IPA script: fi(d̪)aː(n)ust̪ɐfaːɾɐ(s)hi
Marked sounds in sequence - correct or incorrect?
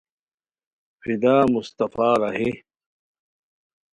correct, incorrect: m, incorrect: none

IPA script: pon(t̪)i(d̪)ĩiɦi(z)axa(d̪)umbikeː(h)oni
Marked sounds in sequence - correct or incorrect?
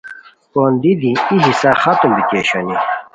incorrect: d̪, correct, incorrect: s, incorrect: t̪, incorrect: ɕ

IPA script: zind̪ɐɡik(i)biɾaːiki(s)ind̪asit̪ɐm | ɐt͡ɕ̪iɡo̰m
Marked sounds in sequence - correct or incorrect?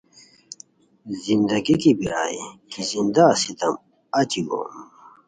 correct, incorrect: z

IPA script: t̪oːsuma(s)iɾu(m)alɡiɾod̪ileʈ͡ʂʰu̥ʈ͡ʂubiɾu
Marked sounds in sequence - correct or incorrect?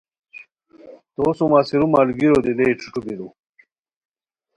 correct, correct

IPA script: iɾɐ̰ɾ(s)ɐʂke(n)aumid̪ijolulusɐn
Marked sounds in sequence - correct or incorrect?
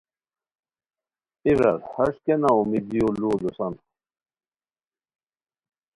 incorrect: h, correct

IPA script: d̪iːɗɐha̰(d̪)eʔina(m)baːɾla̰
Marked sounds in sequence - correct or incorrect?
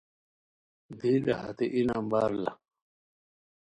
incorrect: t̪, correct

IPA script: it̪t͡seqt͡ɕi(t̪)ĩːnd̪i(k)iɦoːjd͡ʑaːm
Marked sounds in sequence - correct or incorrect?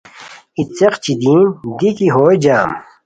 incorrect: d̪, correct

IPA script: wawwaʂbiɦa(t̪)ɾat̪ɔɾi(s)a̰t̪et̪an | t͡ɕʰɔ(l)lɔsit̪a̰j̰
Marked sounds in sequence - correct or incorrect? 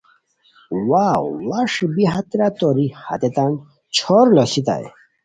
correct, incorrect: h, incorrect: ɾ

